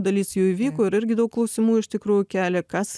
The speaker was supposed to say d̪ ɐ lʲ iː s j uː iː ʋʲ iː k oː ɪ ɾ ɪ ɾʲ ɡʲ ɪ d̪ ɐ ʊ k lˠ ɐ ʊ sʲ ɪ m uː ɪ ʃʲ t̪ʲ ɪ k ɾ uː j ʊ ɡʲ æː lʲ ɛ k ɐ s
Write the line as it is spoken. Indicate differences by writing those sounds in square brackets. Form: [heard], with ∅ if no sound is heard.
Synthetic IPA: d̪ ɐ lʲ iː s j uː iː ʋʲ iː k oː ɪ ɾ ɪ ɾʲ ɡʲ ɪ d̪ ɐ ʊ k lˠ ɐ ʊ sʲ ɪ m uː ɪ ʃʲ t̪ʲ ɪ k ɾ uː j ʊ [kʲ] æː lʲ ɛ k ɐ s